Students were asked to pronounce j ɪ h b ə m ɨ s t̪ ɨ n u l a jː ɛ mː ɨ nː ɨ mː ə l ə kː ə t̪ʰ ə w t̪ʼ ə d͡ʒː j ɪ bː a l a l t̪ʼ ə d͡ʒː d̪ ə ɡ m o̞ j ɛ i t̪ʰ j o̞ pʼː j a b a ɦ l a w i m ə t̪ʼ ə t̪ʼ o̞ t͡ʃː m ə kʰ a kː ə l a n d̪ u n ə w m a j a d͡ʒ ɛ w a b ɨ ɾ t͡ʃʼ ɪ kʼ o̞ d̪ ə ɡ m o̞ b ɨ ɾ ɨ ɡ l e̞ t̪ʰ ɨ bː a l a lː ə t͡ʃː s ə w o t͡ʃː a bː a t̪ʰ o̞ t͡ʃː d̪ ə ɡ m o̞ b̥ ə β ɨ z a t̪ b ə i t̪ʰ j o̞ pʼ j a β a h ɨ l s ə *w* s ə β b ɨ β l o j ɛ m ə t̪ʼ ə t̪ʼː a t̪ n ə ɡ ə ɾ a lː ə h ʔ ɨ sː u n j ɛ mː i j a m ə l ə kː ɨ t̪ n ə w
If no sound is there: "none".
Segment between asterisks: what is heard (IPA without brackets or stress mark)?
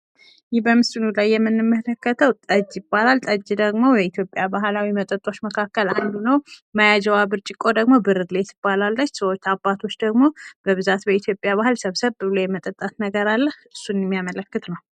β